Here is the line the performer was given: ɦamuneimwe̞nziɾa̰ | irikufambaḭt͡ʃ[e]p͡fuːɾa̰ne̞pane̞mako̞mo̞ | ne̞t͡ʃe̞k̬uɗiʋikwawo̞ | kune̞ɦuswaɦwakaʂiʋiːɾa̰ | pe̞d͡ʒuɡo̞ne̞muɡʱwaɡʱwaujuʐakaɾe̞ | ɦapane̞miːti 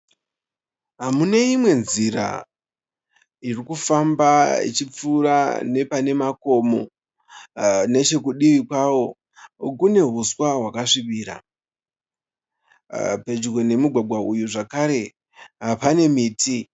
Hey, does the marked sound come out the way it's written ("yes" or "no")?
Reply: no